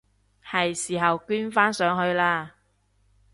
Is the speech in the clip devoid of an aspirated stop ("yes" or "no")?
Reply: yes